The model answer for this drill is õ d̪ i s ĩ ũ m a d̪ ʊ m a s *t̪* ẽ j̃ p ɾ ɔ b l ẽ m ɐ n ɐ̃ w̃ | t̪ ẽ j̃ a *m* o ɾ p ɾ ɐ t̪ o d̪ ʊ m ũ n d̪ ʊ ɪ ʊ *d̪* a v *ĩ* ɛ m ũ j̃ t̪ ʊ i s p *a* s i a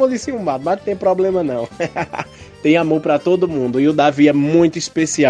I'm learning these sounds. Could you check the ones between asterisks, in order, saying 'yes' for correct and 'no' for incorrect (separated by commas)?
yes, yes, yes, no, no